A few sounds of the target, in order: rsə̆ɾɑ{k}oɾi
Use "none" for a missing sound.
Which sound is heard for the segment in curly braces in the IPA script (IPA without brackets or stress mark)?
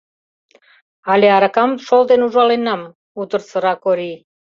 k